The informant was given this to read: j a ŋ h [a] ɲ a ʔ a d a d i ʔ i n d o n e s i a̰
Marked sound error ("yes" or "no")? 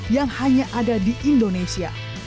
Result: no